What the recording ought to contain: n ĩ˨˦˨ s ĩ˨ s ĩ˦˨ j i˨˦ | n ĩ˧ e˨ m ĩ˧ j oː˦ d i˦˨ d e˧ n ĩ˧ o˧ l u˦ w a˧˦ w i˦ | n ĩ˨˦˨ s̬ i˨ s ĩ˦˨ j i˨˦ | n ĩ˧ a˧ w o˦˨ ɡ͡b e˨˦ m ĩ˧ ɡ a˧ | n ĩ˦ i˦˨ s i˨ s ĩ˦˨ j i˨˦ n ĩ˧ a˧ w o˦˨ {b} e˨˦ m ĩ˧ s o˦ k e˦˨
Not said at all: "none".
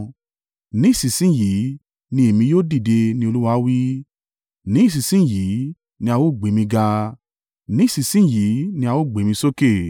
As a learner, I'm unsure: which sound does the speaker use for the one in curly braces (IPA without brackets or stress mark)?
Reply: ɡ͡b